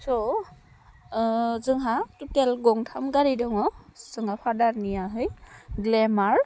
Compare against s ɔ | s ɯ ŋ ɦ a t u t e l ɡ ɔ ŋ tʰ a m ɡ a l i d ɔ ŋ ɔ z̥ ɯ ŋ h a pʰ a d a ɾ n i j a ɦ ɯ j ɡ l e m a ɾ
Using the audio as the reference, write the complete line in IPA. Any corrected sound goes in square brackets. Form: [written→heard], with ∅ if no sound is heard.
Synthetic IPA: s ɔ | [s→z] ɯ ŋ ɦ a t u t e l ɡ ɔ ŋ tʰ a m ɡ a [l→ɾ] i d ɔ ŋ ɔ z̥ ɯ ŋ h a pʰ a d a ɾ n i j a ɦ ɯ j ɡ l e m a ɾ